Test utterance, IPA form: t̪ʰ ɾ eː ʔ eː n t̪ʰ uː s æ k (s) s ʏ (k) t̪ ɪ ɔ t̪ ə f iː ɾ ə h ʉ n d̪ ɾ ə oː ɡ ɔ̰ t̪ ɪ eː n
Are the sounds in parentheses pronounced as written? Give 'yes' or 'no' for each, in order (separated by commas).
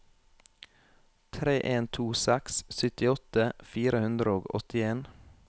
yes, no